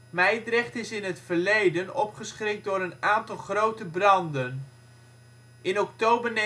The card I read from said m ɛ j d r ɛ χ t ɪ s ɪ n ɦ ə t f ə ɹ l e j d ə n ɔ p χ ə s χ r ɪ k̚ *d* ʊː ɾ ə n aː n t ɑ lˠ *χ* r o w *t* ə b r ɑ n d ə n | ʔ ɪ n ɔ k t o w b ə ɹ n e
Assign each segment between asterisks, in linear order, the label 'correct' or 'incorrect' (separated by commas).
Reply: correct, correct, correct